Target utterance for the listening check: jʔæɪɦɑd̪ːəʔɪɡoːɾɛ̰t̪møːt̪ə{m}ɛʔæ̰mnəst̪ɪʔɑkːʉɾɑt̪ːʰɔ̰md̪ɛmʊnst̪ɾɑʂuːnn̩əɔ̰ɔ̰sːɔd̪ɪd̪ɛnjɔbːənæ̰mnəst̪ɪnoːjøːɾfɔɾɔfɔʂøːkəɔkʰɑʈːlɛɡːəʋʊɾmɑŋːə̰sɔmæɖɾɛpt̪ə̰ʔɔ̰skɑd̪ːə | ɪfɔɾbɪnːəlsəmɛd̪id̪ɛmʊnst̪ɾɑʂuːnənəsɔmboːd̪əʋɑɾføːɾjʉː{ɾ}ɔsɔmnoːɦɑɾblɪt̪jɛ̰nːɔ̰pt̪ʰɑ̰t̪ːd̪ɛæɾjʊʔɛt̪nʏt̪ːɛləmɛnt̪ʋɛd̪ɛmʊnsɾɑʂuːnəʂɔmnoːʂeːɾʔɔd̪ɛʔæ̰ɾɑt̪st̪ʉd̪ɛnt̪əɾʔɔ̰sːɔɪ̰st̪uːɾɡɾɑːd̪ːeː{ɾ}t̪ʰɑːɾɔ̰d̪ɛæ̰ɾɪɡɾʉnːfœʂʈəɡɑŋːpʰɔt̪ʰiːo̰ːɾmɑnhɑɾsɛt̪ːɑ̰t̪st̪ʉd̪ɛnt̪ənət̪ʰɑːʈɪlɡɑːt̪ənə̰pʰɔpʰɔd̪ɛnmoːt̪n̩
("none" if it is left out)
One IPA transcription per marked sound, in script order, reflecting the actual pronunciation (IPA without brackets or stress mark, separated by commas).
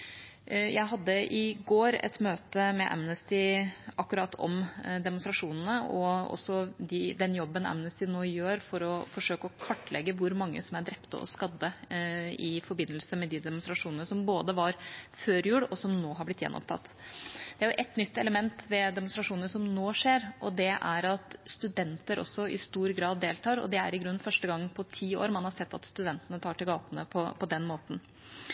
m, ɽ, l